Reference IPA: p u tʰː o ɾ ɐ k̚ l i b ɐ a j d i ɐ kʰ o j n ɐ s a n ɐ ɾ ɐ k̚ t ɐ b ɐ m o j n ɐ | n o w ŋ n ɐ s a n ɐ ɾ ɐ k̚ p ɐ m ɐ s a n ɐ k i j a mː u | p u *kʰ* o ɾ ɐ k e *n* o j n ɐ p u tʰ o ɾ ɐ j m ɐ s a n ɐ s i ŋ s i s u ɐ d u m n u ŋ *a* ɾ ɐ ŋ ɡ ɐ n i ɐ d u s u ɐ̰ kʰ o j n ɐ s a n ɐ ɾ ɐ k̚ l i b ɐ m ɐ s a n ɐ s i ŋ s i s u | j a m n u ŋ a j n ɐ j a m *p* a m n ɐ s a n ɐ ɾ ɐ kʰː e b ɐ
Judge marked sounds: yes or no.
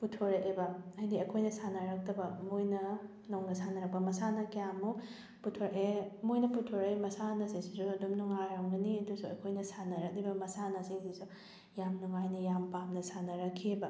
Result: no, no, yes, yes

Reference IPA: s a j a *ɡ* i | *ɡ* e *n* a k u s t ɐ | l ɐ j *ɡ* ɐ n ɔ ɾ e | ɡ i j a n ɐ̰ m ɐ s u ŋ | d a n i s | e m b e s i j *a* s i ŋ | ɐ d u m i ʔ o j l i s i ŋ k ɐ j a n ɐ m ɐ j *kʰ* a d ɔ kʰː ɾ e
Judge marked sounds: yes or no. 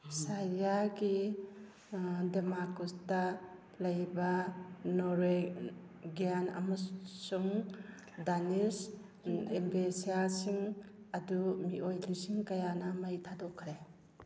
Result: yes, no, no, no, yes, no

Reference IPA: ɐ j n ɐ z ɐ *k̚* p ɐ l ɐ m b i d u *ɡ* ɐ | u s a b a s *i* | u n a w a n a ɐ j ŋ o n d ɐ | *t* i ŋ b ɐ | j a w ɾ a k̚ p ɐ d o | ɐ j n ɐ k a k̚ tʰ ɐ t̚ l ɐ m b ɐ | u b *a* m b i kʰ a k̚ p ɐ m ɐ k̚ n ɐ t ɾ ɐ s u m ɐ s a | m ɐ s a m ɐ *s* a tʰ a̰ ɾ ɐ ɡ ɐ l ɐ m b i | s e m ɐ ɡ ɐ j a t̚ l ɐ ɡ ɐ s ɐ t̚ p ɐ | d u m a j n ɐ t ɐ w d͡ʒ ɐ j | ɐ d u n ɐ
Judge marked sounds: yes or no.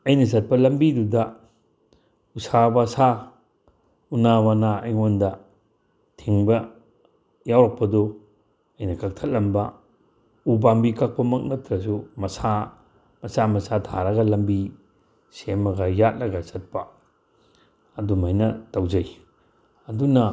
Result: no, no, no, no, yes, yes

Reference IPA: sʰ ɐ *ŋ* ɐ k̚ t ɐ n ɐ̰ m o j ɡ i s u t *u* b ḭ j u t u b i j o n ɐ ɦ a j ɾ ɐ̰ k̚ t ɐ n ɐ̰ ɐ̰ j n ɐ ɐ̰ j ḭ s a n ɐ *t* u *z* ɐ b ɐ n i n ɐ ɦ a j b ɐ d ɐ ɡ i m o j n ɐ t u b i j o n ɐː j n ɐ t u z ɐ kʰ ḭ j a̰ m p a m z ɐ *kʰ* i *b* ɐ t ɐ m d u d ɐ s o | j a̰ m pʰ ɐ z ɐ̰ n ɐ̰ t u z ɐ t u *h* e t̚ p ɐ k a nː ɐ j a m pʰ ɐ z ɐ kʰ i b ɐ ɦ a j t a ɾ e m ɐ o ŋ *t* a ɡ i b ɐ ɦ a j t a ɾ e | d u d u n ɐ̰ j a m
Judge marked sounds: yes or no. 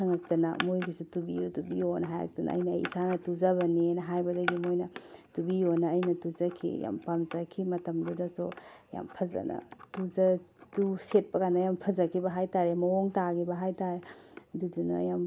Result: yes, yes, yes, yes, yes, no, no, yes

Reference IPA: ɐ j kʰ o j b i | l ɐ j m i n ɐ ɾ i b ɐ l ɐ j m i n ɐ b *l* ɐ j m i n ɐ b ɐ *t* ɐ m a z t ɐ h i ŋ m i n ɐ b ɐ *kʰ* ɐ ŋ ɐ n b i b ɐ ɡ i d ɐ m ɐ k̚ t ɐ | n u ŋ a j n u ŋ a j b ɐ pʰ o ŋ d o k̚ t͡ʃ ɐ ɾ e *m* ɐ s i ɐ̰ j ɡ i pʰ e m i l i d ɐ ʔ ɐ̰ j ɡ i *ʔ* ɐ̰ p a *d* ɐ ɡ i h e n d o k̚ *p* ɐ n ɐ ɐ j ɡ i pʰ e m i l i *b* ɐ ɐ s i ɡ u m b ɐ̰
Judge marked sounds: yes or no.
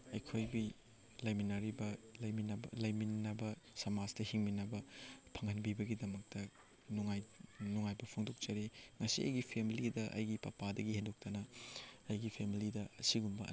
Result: yes, no, no, no, no, yes, no, no

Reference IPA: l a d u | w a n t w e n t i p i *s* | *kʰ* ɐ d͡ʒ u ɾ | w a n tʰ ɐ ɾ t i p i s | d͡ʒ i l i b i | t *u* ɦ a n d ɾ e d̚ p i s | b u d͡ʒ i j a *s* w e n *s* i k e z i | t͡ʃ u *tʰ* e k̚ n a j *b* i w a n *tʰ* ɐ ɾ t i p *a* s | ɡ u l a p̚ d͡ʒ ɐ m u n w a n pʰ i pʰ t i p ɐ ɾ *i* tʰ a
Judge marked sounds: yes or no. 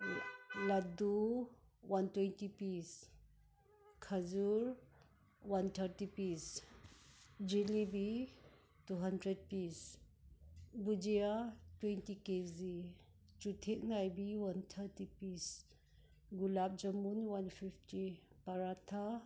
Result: yes, yes, yes, no, no, yes, yes, yes, no, no

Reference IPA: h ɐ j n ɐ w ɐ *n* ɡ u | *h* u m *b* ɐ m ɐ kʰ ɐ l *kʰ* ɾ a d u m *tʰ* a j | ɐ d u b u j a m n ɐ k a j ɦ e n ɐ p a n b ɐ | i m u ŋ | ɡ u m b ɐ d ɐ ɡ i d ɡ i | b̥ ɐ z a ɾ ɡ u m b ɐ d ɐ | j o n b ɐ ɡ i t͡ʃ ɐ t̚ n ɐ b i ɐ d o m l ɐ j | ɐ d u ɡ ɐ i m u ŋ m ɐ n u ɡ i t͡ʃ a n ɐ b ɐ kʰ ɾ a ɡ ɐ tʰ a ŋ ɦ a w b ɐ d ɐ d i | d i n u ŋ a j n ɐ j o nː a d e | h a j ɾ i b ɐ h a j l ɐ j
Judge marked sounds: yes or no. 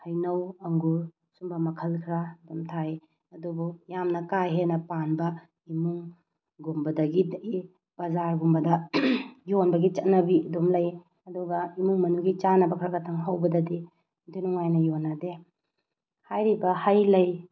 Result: no, no, yes, yes, yes

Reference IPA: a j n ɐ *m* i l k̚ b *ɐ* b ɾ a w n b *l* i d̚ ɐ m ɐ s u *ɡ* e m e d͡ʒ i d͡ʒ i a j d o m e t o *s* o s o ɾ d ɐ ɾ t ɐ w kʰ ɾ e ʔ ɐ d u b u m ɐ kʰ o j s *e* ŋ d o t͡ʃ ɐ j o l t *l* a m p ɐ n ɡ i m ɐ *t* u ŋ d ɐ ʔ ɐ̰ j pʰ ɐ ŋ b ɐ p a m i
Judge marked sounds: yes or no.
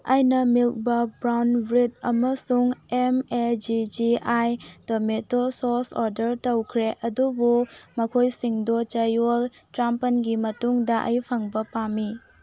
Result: yes, yes, no, no, yes, no, no, yes

